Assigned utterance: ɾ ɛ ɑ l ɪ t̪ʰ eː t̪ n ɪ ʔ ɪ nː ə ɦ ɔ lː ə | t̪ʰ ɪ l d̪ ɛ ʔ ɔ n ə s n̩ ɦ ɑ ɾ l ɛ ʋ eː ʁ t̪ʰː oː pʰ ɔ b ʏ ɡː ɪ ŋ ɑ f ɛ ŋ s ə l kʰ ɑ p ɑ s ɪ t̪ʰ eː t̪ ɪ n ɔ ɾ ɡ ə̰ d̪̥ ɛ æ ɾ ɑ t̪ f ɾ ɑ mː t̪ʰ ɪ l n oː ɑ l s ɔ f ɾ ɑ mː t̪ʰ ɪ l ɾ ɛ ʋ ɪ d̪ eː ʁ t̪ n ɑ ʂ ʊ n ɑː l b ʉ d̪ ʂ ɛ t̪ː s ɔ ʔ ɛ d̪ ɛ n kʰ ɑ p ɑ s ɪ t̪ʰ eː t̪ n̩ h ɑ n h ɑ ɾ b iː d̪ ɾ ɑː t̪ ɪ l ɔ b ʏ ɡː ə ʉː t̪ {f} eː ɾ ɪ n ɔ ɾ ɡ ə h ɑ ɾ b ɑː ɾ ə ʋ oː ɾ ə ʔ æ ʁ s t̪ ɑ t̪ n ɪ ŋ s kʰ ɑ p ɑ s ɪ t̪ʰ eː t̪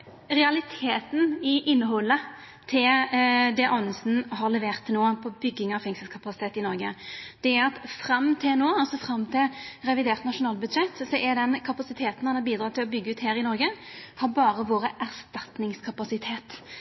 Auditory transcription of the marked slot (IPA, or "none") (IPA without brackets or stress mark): h